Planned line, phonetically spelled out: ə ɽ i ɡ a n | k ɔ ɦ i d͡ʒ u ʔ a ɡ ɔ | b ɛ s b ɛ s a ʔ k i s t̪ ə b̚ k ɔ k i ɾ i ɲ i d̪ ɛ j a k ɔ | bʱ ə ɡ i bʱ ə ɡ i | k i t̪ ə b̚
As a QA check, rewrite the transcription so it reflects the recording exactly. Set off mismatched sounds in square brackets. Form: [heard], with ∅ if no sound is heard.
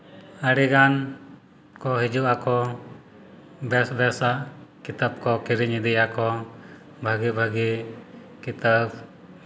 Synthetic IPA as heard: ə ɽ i ɡ a n | k ɔ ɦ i d͡ʒ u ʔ a [k] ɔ | b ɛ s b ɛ s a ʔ k i [∅] t̪ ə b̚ k ɔ k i ɾ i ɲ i d̪ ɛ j a k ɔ | bʱ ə ɡ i bʱ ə ɡ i | k i t̪ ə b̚